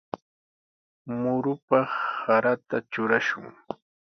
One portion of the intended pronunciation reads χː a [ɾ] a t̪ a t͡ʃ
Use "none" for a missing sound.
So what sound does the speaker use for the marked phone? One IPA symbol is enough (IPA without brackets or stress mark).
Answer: ɾ